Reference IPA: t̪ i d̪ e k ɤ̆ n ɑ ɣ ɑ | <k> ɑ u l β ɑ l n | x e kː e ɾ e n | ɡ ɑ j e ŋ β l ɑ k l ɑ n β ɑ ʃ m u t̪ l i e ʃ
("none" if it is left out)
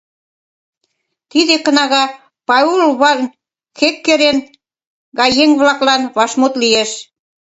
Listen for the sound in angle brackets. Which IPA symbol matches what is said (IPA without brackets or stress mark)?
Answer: p